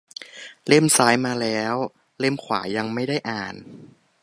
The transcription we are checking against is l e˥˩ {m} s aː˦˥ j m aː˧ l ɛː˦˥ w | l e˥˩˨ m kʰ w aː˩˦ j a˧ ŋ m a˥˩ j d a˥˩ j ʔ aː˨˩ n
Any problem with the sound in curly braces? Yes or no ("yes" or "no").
no